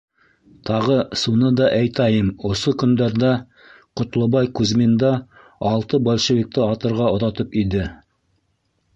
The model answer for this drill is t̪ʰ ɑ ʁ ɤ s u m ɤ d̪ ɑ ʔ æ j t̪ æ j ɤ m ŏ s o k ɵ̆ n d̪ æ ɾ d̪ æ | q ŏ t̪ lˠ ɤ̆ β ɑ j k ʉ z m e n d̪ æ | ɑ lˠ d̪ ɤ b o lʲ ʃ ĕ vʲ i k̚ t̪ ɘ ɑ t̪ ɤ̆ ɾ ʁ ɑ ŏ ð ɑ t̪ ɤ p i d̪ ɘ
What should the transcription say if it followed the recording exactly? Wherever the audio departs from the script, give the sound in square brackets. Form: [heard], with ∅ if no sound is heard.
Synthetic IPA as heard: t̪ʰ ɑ ʁ ɤ s u [n] ɤ d̪ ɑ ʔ æ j t̪ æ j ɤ m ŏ s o k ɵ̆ n d̪ æ ɾ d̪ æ | q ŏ t̪ lˠ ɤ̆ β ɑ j k ʉ z m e n d̪ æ | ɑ lˠ [t̪] ɤ b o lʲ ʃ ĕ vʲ i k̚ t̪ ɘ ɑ t̪ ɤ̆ ɾ ʁ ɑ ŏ ð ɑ t̪ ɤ p i d̪ ɘ